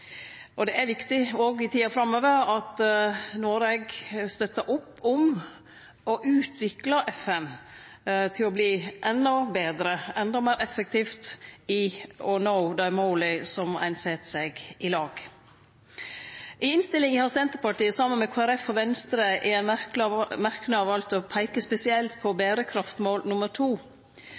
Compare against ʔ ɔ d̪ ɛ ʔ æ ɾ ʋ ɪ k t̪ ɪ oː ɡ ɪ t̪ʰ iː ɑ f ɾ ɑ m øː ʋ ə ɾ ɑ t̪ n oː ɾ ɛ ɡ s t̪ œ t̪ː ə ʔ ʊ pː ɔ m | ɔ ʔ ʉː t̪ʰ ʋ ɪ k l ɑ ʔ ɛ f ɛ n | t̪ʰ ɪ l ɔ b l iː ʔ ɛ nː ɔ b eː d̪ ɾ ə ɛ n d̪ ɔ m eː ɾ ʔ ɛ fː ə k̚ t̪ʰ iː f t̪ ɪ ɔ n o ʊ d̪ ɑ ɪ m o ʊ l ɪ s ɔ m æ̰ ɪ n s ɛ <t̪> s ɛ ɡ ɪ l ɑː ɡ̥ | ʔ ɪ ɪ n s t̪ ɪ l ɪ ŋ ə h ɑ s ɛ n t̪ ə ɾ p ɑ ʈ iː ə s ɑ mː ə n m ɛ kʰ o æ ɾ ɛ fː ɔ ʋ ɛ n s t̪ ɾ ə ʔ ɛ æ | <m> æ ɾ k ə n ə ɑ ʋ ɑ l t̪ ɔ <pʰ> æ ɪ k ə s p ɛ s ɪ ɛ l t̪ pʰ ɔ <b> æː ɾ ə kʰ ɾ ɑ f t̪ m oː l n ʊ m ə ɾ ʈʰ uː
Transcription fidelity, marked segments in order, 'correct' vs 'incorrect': correct, correct, correct, correct

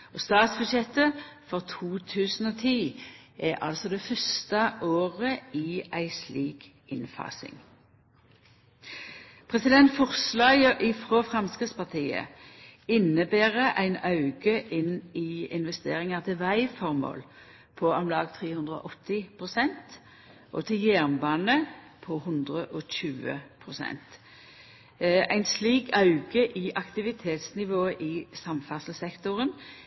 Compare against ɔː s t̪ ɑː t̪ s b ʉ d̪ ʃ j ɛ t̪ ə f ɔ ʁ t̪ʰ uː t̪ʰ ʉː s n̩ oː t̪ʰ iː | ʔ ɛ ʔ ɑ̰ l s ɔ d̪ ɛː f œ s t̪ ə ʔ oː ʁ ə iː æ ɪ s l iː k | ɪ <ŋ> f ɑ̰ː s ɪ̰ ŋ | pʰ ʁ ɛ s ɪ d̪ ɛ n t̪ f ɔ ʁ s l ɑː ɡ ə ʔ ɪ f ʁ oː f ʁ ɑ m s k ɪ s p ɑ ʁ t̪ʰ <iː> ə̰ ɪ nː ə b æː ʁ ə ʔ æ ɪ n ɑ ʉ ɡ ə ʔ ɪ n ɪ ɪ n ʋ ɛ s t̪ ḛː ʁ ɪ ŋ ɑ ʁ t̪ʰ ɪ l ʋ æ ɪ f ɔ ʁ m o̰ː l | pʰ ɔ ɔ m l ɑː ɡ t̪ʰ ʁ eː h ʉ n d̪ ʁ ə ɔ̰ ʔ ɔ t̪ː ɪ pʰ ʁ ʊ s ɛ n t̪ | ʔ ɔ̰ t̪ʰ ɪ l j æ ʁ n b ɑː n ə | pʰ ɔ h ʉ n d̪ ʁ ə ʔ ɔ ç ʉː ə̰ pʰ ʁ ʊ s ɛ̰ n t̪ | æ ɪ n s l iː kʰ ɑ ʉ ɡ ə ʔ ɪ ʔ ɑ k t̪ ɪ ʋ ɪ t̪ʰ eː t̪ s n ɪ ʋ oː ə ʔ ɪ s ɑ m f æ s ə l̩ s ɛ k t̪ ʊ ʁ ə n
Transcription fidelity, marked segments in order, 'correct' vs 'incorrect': incorrect: n, correct

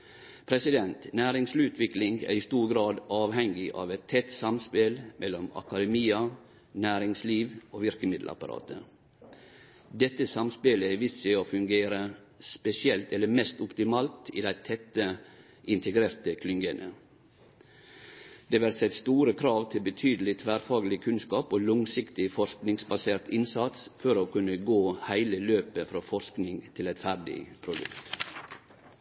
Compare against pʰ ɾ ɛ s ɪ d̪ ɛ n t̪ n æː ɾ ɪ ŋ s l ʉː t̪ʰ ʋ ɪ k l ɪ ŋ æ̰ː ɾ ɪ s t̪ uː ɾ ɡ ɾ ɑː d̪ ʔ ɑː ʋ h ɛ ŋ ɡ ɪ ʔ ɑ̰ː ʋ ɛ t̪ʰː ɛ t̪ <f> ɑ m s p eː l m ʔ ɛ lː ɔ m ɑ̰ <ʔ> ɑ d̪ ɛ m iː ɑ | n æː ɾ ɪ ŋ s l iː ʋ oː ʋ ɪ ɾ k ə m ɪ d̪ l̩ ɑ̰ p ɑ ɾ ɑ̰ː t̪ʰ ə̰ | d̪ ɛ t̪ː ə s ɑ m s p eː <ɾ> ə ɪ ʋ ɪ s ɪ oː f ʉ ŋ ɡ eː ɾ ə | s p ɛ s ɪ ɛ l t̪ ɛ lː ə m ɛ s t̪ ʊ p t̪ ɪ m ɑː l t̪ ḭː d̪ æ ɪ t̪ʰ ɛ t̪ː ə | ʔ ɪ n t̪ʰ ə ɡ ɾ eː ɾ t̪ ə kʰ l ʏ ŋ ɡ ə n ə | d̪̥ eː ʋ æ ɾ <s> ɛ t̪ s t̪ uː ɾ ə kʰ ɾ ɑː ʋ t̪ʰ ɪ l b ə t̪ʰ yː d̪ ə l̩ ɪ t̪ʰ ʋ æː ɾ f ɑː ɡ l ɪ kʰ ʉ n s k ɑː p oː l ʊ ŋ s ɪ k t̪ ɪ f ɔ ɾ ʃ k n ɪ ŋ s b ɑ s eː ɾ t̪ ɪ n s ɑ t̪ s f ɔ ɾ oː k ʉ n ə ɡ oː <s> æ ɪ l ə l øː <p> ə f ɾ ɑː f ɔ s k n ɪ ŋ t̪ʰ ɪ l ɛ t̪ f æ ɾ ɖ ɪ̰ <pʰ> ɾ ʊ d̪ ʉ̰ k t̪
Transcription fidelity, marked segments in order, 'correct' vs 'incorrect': incorrect: s, incorrect: k, incorrect: l, correct, incorrect: h, correct, correct

